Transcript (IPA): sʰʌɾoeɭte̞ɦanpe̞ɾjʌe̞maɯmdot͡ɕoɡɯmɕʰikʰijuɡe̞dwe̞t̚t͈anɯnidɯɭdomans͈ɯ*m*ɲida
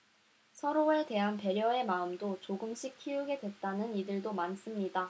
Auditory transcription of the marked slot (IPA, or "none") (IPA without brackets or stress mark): m